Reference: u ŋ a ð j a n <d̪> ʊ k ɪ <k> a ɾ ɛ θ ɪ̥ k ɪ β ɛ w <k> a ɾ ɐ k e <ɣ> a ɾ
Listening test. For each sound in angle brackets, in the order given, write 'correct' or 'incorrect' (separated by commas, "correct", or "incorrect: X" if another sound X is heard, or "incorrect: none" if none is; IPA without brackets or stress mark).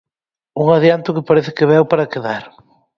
incorrect: t̪, incorrect: p, incorrect: p, incorrect: ð